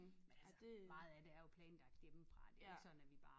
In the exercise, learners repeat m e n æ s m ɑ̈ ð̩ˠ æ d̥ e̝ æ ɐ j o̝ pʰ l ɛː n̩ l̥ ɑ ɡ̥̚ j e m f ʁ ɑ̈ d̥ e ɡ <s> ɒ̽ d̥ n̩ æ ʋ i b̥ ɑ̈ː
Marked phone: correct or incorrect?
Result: correct